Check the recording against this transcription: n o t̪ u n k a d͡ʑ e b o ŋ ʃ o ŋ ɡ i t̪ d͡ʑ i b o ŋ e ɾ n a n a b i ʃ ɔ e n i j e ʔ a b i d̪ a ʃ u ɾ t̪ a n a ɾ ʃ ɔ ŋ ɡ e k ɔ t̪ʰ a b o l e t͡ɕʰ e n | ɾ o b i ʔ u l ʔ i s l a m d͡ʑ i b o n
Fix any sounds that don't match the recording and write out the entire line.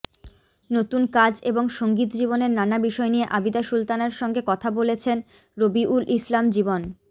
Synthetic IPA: n o t̪ u n k a d͡ʑ e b o ŋ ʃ o ŋ ɡ i t̪ d͡ʑ i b o n e ɾ n a n a b i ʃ ɔ e n i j e ʔ a b i d̪ a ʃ u l t̪ a n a ɾ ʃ ɔ ŋ ɡ e k ɔ t̪ʰ a b o l e t͡ɕʰ e n | ɾ o b i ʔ u l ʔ i s l a m d͡ʑ i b o n